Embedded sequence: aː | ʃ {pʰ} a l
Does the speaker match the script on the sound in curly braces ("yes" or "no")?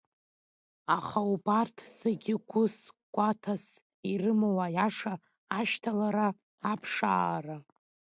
no